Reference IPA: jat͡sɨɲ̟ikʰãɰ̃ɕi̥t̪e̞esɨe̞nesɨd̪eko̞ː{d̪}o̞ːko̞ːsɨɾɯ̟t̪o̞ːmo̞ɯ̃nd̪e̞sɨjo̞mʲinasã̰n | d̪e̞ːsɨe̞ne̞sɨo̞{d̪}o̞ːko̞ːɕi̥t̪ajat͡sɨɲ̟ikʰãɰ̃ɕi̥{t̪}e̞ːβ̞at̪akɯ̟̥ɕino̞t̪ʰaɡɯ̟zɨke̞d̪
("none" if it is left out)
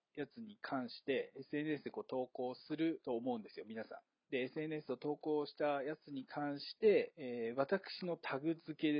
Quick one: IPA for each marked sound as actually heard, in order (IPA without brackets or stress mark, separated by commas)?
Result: t̪, t̪, t̪